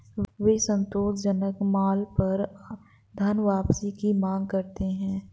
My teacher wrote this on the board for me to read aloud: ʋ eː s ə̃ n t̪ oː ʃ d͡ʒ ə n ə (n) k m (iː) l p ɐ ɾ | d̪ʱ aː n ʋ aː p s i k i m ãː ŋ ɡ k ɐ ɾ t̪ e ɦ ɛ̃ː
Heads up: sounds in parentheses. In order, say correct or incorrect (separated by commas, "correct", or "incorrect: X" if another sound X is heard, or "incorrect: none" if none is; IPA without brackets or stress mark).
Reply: incorrect: none, incorrect: aː